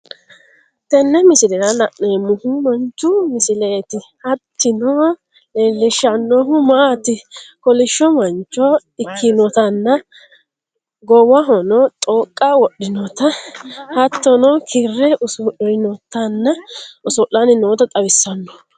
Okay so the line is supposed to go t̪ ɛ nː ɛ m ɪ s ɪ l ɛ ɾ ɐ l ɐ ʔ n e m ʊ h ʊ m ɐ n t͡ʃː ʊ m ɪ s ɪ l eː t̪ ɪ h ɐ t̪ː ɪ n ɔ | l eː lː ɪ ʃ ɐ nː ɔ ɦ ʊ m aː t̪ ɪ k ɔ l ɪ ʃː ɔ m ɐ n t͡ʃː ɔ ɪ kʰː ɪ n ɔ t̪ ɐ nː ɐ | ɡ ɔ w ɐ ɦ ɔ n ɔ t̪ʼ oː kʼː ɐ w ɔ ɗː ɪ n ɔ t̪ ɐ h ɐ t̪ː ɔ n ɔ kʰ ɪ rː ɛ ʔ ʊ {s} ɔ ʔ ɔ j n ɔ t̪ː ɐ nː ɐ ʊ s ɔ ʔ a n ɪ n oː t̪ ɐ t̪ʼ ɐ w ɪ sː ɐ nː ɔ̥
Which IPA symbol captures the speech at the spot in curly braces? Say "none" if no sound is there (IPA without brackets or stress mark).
s